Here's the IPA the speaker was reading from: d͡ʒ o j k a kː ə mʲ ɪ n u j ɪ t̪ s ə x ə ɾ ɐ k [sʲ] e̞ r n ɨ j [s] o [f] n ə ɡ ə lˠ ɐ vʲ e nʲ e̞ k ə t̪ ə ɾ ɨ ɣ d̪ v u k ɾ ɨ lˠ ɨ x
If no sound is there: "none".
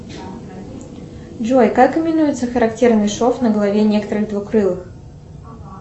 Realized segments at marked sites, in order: tʲ, ʂ, f

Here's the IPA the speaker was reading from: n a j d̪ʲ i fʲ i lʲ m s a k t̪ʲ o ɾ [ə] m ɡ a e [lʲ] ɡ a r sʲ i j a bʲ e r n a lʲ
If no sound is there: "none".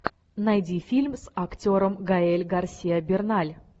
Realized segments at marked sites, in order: ə, lʲ

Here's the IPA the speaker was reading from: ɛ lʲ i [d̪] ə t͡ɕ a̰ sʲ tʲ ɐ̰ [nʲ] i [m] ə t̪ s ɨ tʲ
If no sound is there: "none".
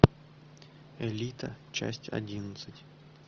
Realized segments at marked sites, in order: t̪, dʲ, n

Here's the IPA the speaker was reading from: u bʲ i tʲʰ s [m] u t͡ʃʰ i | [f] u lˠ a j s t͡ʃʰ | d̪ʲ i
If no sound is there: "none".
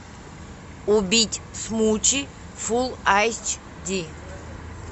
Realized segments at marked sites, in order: m, f

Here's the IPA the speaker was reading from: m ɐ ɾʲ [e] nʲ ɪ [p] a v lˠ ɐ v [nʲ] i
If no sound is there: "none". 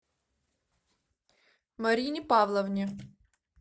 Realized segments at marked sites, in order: i, p, nʲ

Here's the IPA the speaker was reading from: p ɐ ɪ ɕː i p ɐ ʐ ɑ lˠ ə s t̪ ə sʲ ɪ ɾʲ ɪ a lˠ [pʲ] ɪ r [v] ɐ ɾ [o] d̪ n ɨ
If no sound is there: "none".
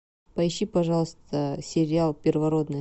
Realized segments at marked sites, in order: pʲ, v, o

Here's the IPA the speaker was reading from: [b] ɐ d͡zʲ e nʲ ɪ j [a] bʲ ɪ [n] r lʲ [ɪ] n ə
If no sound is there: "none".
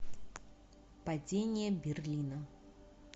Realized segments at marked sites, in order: p, ə, none, i

